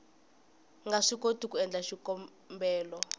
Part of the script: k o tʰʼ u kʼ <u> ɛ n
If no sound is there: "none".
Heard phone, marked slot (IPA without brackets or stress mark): u